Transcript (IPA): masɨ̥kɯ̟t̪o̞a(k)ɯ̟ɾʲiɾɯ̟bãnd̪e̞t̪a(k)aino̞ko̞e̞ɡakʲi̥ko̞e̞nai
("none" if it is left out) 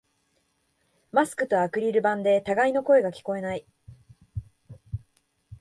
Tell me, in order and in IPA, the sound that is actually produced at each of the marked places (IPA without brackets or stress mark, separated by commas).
k, ɡ